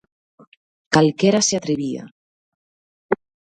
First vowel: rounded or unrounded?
unrounded